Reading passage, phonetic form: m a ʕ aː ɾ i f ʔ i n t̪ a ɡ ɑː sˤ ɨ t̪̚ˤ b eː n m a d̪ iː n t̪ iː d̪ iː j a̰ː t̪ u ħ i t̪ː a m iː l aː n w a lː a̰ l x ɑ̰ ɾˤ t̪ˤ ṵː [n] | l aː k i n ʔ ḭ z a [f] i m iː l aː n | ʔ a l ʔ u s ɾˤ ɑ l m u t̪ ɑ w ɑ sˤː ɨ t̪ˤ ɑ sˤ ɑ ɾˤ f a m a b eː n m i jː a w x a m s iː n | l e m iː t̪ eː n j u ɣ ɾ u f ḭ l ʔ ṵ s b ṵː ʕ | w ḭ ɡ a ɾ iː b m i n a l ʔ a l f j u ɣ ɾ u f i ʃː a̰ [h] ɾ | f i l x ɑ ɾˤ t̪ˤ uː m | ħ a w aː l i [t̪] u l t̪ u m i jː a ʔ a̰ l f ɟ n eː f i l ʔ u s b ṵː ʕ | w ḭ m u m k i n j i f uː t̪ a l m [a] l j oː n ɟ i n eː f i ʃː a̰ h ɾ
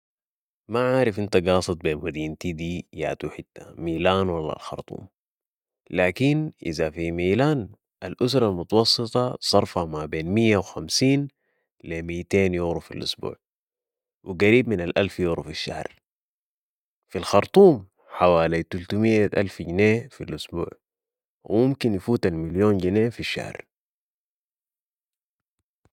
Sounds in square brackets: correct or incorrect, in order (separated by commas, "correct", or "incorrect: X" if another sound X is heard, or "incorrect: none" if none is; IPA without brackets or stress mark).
incorrect: m, correct, correct, correct, incorrect: i